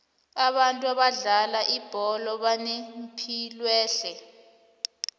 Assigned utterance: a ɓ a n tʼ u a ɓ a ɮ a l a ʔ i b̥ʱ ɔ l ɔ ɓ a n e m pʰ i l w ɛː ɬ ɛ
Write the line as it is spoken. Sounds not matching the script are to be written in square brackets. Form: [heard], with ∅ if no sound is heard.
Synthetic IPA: a ɓ a n tʼ u a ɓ a ɮ a l a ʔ i b̥ʱ ɔ l ɔ ɓ a n e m pʰ i l w ɛː ɬ ɛ